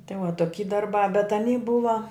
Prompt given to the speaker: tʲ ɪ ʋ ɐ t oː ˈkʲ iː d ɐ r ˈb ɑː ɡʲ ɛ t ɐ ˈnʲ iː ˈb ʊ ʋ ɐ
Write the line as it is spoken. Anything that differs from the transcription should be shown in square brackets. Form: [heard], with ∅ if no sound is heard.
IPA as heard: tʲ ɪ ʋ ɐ t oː ˈkʲ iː d ɐ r ˈb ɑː [bʲ] ɛ t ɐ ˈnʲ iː ˈb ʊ ʋ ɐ

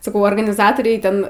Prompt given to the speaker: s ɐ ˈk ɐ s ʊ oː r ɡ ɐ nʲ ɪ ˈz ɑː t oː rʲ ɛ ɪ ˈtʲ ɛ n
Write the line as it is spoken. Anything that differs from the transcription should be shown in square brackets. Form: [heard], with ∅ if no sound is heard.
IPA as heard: s ɐ ˈk ɐ [∅] ʊ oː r ɡ ɐ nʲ ɪ ˈz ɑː t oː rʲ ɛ ɪ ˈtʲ ɛ n

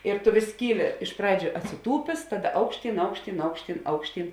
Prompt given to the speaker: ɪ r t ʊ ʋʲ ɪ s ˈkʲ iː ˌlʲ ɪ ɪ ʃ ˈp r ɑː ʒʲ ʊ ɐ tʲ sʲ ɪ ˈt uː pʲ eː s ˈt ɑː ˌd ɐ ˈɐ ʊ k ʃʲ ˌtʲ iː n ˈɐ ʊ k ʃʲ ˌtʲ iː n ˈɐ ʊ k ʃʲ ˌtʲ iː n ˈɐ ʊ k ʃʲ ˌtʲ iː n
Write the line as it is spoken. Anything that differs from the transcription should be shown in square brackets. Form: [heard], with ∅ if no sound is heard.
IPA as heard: ɪ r t ʊ ʋʲ ɪ s ˈkʲ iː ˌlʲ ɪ ɪ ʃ ˈp r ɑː [d͡ʒʲ] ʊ ɐ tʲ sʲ ɪ ˈt uː pʲ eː s ˈt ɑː ˌd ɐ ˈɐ ʊ k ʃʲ ˌtʲ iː n ˈɐ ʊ k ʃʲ ˌtʲ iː n ˈɐ ʊ k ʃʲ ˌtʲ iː n ˈɐ ʊ k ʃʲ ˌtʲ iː n

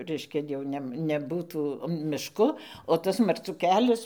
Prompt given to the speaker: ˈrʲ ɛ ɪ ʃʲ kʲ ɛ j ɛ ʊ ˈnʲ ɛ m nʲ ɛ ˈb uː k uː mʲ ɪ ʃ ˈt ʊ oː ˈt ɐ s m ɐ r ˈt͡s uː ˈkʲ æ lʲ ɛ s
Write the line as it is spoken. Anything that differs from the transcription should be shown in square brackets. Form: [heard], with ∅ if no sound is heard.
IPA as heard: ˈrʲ ɛ ɪ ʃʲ kʲ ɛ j ɛ ʊ ˈnʲ ɛ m nʲ ɛ ˈb uː [t] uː mʲ ɪ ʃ [ˈk] ʊ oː ˈt ɐ s m ɐ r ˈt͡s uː ˈkʲ [æː] lʲ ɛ s

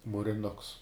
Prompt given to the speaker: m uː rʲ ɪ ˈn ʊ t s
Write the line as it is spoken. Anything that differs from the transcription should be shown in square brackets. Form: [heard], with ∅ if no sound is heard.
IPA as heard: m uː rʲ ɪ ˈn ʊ [k] s

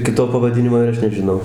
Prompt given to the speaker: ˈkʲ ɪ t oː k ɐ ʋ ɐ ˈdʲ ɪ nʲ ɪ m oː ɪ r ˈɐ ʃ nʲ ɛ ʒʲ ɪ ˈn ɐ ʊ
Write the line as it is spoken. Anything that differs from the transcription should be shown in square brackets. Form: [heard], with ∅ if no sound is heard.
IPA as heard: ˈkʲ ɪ t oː [p] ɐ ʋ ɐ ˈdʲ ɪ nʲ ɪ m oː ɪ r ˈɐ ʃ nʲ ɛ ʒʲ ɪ ˈn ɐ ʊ

